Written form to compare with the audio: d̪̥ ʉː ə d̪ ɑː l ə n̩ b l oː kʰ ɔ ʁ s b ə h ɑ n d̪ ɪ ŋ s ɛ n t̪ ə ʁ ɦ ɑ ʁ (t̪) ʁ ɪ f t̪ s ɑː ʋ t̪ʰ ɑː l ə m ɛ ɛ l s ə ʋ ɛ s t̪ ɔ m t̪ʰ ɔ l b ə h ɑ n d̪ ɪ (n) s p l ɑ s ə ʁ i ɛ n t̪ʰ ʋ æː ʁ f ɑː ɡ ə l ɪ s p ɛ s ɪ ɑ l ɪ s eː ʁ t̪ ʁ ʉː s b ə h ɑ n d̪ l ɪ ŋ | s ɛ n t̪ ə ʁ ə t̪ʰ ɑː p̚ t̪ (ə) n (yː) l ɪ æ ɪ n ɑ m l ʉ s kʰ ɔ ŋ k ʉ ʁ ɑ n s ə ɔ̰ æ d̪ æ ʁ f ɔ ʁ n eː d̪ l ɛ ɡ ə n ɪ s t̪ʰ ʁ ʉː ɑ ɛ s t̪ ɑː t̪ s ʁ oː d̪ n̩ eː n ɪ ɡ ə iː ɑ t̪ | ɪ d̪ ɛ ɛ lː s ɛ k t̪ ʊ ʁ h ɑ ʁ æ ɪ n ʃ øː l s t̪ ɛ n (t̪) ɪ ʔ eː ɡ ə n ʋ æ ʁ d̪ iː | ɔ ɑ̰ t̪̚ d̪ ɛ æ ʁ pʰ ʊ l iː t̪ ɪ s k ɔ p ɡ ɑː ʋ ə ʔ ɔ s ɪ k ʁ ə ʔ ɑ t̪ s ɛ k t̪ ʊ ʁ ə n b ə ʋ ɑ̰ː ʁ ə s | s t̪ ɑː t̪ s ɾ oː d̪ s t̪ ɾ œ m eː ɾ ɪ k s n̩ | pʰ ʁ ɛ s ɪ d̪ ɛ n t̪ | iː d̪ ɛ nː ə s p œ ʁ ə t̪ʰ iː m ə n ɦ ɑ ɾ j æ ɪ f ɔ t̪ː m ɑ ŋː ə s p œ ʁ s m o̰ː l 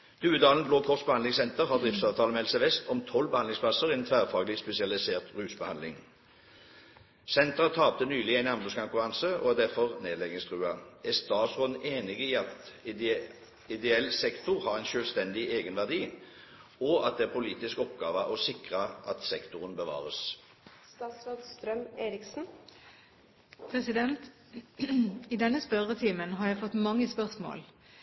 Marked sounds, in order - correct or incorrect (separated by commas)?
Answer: incorrect, incorrect, correct, correct, incorrect